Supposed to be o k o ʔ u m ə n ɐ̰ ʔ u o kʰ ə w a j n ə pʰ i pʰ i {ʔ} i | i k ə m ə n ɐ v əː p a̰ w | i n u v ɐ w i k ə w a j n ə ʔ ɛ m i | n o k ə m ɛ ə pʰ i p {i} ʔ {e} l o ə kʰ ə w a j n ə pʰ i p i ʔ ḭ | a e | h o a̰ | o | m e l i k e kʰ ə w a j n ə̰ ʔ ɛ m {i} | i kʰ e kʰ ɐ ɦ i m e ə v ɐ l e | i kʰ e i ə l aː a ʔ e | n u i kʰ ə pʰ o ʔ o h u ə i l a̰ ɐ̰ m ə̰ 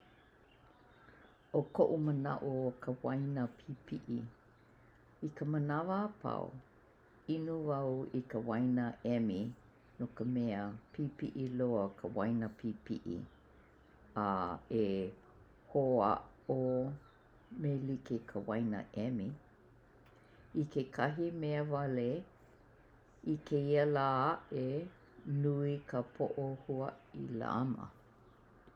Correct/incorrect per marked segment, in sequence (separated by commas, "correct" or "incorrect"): correct, correct, incorrect, correct